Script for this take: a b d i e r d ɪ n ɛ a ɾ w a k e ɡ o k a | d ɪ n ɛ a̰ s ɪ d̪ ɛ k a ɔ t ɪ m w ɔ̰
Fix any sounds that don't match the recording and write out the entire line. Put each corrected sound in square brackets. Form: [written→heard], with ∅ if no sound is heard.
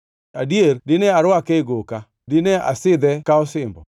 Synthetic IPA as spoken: a [b→∅] d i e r d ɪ n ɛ a ɾ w a k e ɡ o k a | d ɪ n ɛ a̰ s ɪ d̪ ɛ k a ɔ [t→s] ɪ m [w→b] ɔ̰